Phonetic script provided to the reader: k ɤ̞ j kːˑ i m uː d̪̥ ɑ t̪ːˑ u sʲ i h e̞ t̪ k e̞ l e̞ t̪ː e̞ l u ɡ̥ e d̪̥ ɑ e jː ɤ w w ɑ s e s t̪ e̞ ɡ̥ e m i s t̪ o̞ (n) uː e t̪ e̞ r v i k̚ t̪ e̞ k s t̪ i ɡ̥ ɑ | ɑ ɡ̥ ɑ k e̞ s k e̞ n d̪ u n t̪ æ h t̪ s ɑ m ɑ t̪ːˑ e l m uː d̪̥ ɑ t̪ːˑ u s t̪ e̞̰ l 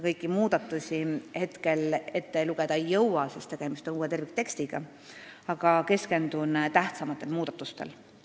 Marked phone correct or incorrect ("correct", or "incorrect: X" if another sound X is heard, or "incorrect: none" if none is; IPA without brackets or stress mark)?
correct